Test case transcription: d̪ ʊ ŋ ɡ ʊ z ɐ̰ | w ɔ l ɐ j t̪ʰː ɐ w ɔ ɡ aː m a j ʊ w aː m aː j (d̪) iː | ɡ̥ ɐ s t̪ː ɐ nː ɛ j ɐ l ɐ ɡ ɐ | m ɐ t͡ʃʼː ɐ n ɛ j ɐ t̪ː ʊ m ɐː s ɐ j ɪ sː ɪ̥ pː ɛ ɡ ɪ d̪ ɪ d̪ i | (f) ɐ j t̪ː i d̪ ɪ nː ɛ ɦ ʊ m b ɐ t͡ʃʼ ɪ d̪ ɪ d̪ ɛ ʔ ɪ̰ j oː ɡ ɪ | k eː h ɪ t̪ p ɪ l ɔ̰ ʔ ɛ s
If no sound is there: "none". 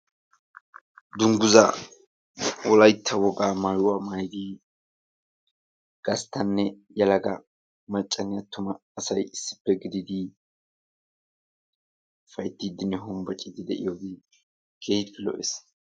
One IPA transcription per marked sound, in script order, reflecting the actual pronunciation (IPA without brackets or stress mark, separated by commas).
d̪, f